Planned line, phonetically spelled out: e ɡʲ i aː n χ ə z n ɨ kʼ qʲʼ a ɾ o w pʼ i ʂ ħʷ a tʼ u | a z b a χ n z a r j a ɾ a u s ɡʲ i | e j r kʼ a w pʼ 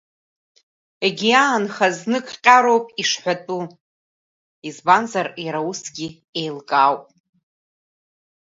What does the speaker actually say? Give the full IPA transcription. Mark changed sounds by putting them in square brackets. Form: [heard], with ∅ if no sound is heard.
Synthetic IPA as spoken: e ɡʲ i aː n χ [a] z n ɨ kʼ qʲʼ a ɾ o w pʼ i ʂ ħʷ a tʼ u | [i] z b a [∅] n z a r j a ɾ a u s ɡʲ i | e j [l] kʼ a w pʼ